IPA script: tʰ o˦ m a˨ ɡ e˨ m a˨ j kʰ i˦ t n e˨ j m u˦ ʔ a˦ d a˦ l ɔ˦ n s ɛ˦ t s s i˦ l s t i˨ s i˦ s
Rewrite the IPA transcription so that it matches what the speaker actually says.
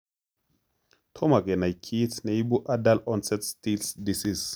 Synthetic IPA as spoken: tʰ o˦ m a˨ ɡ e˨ n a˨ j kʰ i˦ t n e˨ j b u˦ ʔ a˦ d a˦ l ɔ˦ n s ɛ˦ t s t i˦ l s d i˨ s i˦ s

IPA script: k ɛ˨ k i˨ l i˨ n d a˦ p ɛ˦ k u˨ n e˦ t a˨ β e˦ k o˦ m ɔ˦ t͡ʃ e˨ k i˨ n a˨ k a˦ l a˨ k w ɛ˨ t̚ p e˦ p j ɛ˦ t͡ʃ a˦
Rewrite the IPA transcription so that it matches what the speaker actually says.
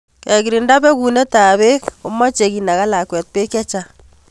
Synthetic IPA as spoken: k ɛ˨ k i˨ ɾ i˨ n d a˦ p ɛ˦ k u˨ n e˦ t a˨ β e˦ k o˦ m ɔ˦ t͡ʃ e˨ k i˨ n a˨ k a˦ l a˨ k w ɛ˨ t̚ p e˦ k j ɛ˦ t͡ʃ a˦

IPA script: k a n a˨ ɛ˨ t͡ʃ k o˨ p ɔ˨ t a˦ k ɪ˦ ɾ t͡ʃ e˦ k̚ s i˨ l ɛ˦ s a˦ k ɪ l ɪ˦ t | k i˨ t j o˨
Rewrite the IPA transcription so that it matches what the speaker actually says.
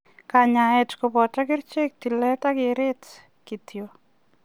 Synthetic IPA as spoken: k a ɲ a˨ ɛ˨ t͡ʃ k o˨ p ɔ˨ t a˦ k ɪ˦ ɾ t͡ʃ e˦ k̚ t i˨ l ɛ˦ t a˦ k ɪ ɾ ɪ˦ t | k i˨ t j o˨

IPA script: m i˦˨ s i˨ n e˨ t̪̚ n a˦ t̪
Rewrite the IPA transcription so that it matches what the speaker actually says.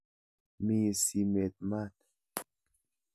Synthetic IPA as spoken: m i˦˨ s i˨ m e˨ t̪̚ m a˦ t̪

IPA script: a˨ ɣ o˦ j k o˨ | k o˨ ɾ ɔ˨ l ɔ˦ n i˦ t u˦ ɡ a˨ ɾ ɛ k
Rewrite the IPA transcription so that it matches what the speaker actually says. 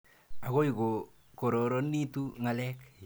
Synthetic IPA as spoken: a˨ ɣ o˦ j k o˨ | k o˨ ɾ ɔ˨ ɾ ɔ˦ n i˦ t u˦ ŋ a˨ l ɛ k

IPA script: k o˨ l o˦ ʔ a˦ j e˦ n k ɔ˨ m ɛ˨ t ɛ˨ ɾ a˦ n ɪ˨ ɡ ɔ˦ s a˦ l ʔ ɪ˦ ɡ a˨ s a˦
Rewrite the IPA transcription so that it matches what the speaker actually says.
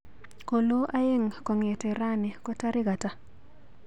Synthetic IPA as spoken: k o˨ l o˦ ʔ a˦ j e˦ ŋ k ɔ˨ ŋ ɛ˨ t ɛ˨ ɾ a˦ n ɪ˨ k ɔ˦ t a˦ ɾ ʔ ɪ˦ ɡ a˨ t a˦

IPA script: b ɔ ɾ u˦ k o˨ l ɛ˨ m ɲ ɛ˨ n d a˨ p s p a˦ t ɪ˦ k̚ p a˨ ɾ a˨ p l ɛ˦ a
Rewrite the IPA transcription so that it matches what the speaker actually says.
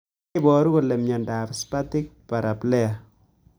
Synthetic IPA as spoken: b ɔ ɾ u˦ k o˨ l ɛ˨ m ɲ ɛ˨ n d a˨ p s p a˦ t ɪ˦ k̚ p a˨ ɾ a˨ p l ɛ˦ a

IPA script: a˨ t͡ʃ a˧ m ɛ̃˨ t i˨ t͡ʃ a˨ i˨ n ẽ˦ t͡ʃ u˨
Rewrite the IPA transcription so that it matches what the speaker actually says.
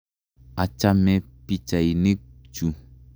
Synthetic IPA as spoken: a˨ t͡ʃ a˧ m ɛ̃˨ p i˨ t͡ʃ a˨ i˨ n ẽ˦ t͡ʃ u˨

